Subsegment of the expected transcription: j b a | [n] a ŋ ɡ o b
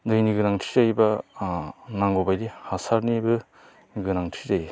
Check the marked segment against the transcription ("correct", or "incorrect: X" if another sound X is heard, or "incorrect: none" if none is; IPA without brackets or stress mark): correct